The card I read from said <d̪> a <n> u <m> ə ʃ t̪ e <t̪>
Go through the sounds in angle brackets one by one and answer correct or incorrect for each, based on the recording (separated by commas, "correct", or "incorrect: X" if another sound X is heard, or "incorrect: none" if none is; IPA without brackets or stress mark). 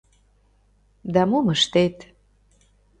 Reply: correct, incorrect: m, correct, correct